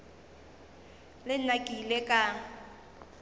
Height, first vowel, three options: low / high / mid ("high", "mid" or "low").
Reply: high